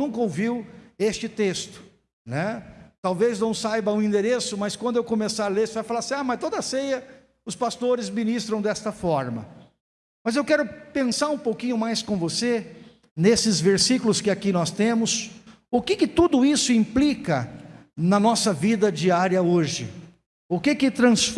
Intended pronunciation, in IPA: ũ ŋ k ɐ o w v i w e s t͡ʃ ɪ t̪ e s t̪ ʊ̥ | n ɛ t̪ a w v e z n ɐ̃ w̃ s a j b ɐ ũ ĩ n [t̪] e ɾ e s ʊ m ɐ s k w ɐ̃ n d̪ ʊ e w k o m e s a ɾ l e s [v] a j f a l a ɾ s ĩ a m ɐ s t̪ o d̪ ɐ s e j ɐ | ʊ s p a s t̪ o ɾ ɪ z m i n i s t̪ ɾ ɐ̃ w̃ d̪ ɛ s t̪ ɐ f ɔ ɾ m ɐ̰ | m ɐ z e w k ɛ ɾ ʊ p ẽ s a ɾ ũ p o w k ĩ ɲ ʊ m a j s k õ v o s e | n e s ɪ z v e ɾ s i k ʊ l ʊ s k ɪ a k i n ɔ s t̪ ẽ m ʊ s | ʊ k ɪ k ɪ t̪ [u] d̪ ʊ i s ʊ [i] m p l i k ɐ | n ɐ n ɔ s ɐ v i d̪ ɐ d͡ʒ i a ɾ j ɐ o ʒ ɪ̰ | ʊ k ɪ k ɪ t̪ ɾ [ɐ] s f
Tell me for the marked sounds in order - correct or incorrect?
incorrect, correct, correct, incorrect, incorrect

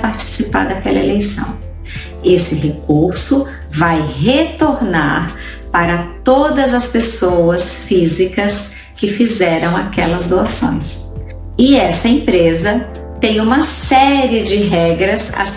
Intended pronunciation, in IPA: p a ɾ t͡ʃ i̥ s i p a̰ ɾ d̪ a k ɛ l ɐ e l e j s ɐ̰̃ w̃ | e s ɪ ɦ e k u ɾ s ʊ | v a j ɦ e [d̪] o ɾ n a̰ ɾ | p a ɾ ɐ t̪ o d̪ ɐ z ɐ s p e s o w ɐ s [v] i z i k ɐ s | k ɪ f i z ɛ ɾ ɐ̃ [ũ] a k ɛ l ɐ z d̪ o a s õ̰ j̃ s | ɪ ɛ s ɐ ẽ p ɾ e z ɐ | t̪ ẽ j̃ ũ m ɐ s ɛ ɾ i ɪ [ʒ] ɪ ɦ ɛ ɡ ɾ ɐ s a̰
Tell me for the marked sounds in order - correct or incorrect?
incorrect, incorrect, incorrect, incorrect

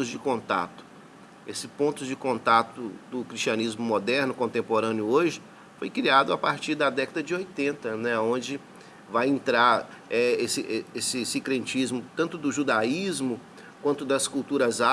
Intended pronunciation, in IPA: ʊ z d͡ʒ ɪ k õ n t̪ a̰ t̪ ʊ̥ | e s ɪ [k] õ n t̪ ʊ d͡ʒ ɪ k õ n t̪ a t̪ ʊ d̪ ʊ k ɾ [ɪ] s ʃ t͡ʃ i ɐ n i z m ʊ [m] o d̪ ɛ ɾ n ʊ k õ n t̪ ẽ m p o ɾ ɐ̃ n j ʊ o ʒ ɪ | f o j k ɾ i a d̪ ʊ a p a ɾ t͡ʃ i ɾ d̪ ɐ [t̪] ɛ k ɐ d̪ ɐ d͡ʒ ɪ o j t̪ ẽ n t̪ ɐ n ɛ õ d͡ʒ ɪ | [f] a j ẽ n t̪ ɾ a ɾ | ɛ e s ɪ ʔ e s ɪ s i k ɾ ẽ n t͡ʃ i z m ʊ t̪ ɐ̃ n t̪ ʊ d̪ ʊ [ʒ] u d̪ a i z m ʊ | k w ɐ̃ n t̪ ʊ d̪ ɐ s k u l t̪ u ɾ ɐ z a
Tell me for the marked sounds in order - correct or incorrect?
incorrect, incorrect, correct, incorrect, incorrect, correct

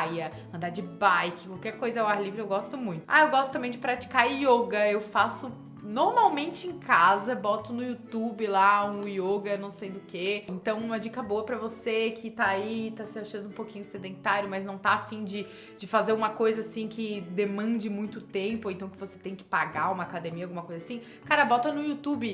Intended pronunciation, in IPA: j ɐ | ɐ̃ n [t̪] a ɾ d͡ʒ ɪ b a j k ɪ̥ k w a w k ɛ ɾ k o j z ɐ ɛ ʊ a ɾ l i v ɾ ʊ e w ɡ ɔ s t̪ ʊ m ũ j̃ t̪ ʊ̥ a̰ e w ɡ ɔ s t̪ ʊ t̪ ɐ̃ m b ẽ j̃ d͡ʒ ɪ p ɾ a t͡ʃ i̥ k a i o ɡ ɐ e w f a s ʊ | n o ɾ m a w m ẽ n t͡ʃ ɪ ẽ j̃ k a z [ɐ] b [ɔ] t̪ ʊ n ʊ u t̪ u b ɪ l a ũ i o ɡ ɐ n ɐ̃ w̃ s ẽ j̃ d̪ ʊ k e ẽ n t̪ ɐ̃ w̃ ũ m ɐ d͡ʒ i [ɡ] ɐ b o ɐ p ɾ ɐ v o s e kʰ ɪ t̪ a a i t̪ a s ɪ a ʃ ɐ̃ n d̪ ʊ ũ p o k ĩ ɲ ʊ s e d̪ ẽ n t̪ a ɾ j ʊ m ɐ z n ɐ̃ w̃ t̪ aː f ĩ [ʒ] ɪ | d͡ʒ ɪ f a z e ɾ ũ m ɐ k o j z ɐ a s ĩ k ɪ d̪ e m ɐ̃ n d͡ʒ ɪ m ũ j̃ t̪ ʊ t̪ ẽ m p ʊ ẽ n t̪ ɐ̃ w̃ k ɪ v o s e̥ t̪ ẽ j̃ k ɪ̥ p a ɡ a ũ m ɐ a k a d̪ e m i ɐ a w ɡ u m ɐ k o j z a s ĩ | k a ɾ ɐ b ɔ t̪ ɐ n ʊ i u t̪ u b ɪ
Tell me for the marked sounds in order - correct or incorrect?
incorrect, correct, correct, incorrect, incorrect

